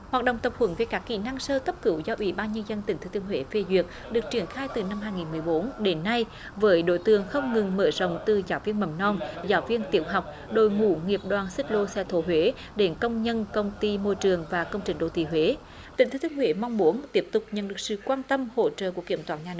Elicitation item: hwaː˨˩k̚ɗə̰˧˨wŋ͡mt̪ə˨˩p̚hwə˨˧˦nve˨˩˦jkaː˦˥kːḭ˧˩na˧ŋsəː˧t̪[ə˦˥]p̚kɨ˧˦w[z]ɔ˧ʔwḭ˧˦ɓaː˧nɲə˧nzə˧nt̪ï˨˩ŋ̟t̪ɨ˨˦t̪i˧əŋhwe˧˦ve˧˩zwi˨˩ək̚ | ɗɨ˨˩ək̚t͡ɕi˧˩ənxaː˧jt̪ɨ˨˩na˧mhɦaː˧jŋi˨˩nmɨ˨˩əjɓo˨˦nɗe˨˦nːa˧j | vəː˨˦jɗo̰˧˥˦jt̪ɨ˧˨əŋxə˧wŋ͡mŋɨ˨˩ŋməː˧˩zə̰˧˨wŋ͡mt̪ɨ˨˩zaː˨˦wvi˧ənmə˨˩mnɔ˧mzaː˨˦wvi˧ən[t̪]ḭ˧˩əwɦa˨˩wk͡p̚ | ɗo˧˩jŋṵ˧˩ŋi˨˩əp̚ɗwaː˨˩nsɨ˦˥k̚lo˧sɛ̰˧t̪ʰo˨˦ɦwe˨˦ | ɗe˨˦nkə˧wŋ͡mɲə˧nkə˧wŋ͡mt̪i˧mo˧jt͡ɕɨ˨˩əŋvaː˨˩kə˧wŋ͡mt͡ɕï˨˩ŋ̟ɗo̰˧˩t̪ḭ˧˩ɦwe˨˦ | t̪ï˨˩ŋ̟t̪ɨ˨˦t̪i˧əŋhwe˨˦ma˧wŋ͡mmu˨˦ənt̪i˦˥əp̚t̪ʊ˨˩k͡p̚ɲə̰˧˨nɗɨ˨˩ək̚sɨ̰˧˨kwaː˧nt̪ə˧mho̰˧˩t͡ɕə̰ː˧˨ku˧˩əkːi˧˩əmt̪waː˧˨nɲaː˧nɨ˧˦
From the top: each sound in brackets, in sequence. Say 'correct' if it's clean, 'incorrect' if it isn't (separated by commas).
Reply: correct, correct, correct